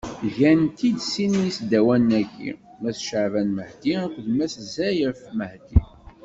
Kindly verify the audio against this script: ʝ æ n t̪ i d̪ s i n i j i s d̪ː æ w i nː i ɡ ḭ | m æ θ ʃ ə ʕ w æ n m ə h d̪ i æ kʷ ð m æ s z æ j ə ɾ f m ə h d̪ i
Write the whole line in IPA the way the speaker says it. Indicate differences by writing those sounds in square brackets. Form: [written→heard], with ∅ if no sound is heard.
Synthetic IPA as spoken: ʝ æ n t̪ i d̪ s i n i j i s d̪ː æ w [i→æ] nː [i→æ] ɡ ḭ | m æ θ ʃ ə ʕ [w→v] æ n m ə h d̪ i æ kʷ ð m æ s z æ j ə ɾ f m ə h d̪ i